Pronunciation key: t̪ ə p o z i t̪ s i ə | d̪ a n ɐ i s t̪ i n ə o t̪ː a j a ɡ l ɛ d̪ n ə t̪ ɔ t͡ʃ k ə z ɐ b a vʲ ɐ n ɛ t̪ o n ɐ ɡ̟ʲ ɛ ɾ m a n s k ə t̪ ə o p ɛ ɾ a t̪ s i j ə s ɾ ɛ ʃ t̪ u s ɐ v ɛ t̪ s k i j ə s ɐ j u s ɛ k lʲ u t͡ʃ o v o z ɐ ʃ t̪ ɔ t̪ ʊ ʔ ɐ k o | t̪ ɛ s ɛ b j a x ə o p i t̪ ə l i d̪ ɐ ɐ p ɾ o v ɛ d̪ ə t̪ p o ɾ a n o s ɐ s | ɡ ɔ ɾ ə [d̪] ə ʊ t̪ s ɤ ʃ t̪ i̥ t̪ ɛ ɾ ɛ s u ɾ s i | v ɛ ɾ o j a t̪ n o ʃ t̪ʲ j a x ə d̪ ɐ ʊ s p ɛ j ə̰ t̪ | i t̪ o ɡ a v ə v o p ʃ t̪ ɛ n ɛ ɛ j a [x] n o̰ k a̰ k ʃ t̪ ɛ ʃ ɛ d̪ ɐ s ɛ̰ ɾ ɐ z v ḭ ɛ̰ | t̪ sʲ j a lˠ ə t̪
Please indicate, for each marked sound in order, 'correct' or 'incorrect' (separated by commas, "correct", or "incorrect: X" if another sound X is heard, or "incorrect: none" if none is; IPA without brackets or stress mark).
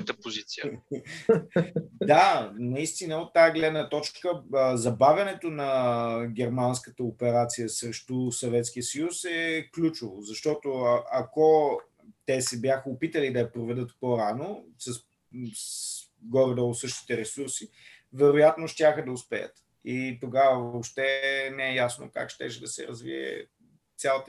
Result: correct, incorrect: s